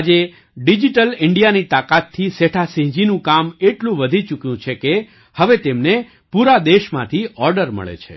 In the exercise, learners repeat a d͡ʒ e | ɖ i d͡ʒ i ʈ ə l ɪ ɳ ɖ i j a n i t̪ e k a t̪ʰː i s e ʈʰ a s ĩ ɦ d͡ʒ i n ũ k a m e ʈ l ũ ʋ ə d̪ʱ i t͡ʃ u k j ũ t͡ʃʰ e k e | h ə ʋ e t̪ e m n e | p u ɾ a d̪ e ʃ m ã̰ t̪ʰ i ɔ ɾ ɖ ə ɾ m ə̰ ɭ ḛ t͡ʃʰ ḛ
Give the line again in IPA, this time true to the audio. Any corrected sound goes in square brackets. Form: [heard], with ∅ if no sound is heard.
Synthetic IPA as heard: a d͡ʒ e | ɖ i d͡ʒ i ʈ ə l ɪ ɳ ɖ i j a n i t̪ [a] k a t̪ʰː i s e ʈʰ a s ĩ ɦ d͡ʒ i n ũ k a m e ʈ l ũ ʋ ə d̪ʱ i t͡ʃ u k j ũ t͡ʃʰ e k e | h ə ʋ e t̪ e m n e | p u ɾ a d̪ e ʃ m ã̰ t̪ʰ i ɔ ɾ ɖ ə ɾ m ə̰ ɭ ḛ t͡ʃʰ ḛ

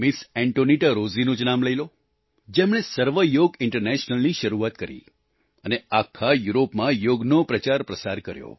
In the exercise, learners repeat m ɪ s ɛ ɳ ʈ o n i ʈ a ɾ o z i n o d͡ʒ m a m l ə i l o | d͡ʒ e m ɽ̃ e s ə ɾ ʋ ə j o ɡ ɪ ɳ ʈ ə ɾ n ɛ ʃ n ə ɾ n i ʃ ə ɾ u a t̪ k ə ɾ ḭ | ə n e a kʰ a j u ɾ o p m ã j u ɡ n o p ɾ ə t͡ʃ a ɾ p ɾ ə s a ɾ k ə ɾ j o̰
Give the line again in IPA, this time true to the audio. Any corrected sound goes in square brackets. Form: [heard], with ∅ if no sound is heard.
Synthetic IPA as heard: m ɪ s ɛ ɳ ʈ o n i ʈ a ɾ o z i n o d͡ʒ [n] a m l ə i l o | d͡ʒ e m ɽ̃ e s ə ɾ ʋ ə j o ɡ ɪ ɳ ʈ ə ɾ n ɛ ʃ n ə [l] n i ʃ ə ɾ u a t̪ k ə ɾ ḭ | ə n e a kʰ a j u ɾ o p m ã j [o] ɡ n o p ɾ ə t͡ʃ a ɾ p ɾ ə s a ɾ k ə ɾ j o̰

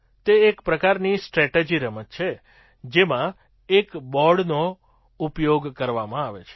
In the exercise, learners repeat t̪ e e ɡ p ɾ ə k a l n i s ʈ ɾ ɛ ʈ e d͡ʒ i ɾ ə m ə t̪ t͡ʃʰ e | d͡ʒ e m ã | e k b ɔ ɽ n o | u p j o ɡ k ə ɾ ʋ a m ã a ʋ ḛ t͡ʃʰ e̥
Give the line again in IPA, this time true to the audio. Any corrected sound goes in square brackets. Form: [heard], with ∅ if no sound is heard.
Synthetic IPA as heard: t̪ e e [k] p ɾ ə k a [ɾ] n i s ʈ ɾ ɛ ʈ e d͡ʒ i ɾ ə m ə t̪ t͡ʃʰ e | d͡ʒ e m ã | e k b ɔ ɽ n o | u p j o ɡ k ə ɾ ʋ a m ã a ʋ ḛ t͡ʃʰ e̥

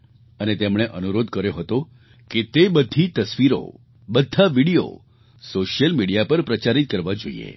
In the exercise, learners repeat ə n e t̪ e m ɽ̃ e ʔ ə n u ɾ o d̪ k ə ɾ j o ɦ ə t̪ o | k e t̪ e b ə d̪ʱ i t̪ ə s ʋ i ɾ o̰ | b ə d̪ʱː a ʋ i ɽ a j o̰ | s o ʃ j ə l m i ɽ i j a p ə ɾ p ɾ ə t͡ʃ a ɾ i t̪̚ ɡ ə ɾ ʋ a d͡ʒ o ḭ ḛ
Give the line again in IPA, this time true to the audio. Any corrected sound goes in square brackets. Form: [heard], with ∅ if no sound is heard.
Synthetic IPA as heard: ə n e t̪ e m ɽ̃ e ʔ ə n u ɾ o d̪ k ə ɾ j o ɦ ə t̪ o | k e t̪ e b ə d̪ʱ i t̪ ə s ʋ i ɾ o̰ | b ə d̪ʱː a ʋ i ɽ [i] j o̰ | s o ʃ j ə l m i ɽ i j a p ə ɾ p ɾ ə t͡ʃ a ɾ i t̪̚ [k] ə ɾ ʋ a d͡ʒ o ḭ ḛ

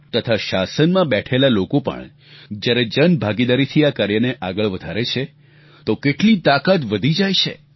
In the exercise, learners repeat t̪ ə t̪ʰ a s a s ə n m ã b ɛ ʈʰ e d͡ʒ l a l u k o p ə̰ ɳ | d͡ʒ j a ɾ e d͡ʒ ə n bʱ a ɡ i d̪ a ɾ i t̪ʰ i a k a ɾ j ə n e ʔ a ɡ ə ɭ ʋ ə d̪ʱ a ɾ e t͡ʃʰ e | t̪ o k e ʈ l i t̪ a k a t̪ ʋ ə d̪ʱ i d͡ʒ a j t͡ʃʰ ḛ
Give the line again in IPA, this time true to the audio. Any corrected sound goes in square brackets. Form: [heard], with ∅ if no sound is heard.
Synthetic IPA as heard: t̪ ə t̪ʰ a [ʃ] a s ə n m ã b ɛ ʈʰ e [∅] l a l [o] k o p ə̰ ɳ | d͡ʒ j a ɾ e d͡ʒ ə n bʱ a ɡ i d̪ a ɾ i t̪ʰ i a k a ɾ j ə n e ʔ a ɡ ə ɭ ʋ ə d̪ʱ a ɾ e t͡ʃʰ e | t̪ o k e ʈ l i t̪ a k a t̪ ʋ ə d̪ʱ i d͡ʒ a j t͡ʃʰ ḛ

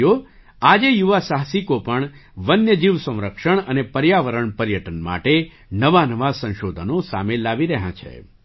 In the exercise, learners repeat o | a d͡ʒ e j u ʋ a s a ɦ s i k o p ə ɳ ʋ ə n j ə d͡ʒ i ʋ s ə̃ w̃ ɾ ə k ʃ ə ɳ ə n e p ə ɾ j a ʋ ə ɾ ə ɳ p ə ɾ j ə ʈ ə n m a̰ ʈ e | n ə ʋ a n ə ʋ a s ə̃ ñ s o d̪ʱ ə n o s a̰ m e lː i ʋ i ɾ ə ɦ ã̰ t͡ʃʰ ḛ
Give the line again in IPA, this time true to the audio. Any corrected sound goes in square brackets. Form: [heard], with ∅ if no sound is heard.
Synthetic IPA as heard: o | a d͡ʒ e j u ʋ a s a ɦ s i k o p ə ɳ ʋ ə n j ə d͡ʒ i ʋ s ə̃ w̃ ɾ ə k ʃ ə ɳ ə n e p ə ɾ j a ʋ ə ɾ ə ɳ p ə ɾ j ə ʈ ə n m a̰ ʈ e | n ə ʋ a n ə ʋ a s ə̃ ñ [ʃ] o d̪ʱ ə n o s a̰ m e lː [a] ʋ i ɾ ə ɦ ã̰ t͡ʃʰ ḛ

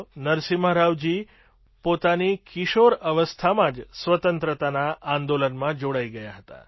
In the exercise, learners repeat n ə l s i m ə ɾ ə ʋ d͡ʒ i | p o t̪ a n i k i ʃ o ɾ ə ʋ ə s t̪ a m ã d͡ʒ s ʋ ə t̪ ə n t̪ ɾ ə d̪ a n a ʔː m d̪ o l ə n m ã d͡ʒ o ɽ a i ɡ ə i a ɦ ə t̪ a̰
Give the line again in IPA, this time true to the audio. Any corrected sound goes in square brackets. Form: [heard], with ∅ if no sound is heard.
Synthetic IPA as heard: n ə [ɾ] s i m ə ɾ [a] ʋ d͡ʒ i | p o t̪ a n i k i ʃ o ɾ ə ʋ ə s [t̪ʰ] a m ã d͡ʒ s ʋ ə t̪ ə n t̪ ɾ ə [t̪] a n a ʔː [n] d̪ o l ə n m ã d͡ʒ o ɽ a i ɡ ə [j] a ɦ ə t̪ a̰

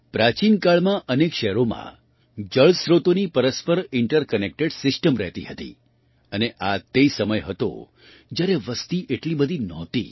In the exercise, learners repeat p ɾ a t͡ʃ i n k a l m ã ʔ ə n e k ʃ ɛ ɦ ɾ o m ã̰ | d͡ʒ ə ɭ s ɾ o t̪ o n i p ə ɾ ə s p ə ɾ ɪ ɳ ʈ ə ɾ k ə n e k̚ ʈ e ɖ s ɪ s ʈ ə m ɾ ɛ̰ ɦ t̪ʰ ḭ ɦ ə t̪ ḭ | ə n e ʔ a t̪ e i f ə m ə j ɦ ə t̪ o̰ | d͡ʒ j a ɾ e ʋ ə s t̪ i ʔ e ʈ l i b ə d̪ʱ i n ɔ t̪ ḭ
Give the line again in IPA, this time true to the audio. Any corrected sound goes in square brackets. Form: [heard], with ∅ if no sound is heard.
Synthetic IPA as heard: p ɾ a t͡ʃ i n k a [ɭ] m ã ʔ ə n e k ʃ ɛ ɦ ɾ o m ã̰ | d͡ʒ ə ɭ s ɾ o t̪ o n i p ə ɾ ə s p ə ɾ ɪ ɳ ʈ ə ɾ k ə n e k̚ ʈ e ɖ s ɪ s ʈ ə m ɾ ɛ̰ ɦ [t̪] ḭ ɦ ə t̪ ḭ | ə n e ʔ a t̪ e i [s] ə m ə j ɦ ə t̪ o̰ | d͡ʒ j a ɾ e ʋ ə s t̪ i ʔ e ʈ l i b ə d̪ʱ i n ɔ t̪ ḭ

